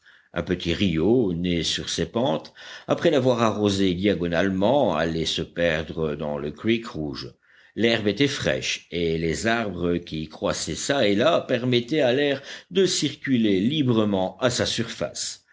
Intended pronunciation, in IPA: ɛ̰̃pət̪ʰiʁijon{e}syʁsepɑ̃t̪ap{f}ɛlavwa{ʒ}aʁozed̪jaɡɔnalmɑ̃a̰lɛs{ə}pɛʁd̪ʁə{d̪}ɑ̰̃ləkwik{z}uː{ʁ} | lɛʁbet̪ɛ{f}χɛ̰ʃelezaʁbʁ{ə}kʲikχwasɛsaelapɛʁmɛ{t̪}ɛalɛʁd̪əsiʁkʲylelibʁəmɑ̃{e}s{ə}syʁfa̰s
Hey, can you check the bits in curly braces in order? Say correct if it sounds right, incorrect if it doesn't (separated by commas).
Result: correct, incorrect, incorrect, correct, correct, incorrect, incorrect, correct, correct, correct, incorrect, incorrect